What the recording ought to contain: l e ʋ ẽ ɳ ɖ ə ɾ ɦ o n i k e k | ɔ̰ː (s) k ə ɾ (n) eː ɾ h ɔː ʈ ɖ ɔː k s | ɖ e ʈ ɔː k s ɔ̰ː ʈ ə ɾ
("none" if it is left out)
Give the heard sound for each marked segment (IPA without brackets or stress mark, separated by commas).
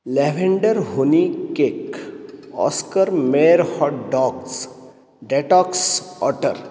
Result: s, m